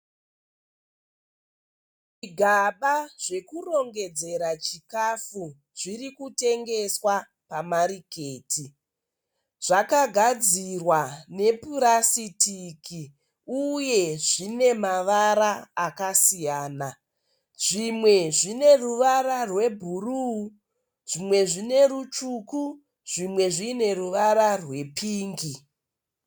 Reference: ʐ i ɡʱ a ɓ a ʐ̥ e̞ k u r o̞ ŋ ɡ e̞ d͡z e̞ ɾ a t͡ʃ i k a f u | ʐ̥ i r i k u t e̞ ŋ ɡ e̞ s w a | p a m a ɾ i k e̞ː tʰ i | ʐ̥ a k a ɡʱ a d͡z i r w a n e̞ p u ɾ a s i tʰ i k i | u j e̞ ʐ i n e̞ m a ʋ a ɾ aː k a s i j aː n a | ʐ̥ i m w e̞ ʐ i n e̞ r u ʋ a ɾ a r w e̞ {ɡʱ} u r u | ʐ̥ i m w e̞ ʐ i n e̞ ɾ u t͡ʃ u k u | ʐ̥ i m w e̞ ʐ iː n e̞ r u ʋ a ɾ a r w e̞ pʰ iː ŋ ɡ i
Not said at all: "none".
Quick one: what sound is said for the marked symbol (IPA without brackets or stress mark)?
bʱ